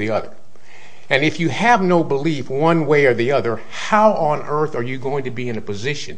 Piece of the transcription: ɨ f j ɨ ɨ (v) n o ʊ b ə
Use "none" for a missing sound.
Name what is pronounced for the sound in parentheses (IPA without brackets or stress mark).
v